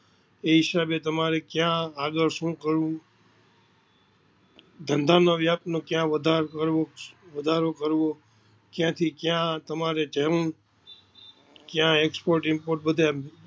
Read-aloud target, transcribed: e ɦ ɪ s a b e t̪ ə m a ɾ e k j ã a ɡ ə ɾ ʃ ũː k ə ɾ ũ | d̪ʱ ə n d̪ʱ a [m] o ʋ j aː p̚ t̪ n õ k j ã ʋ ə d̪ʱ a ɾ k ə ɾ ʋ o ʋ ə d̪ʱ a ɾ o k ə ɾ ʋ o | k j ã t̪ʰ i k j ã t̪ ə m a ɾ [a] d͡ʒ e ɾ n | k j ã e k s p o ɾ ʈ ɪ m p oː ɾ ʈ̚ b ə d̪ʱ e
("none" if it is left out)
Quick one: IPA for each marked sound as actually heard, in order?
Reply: n, e

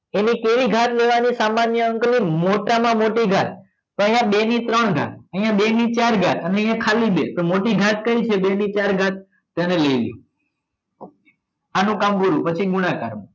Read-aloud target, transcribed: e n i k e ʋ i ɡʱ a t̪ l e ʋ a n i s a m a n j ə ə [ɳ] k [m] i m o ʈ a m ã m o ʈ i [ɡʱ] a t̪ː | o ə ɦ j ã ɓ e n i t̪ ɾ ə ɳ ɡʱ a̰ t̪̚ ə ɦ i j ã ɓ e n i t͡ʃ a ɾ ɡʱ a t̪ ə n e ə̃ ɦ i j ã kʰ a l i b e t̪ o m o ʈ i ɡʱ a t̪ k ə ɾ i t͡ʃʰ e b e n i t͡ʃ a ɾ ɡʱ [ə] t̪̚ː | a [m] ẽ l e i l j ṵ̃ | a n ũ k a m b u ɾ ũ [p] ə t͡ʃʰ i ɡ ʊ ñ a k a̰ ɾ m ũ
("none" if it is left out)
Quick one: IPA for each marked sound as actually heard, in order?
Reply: ŋ, n, ɡʱ, a, n, p

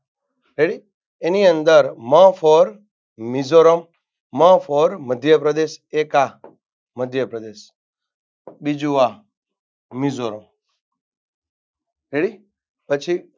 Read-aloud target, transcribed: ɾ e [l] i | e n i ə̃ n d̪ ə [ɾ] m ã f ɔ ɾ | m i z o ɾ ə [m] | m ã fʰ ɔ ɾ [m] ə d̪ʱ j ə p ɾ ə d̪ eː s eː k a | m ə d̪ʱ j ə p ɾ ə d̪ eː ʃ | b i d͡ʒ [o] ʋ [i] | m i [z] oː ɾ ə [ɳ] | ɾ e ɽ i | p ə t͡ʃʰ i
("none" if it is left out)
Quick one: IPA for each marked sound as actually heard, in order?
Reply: ɽ, ɾ, m, m, u, a, z, m

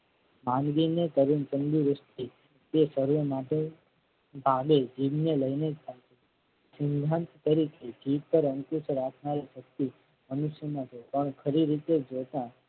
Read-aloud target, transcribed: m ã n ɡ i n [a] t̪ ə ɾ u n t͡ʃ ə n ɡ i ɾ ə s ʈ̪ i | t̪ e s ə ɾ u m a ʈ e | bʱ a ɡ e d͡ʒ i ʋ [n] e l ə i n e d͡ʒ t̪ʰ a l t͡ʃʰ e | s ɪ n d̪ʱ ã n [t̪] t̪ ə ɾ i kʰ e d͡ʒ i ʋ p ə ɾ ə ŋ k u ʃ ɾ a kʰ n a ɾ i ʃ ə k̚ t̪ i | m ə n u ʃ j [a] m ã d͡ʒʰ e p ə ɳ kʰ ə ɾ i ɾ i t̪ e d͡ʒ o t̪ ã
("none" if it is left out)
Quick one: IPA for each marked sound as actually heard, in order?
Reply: e, n, t̪, ə

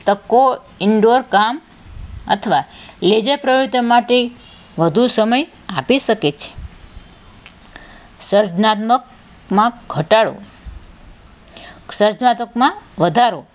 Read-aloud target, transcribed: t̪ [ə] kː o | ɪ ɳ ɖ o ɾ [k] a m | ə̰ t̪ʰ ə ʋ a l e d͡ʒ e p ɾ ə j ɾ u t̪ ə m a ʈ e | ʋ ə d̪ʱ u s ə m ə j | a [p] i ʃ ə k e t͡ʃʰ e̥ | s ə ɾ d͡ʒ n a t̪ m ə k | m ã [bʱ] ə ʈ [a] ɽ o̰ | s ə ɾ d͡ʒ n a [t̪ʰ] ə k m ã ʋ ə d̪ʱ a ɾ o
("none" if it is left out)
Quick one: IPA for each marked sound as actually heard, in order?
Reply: ə, k, p, ɡʱ, a, t̪

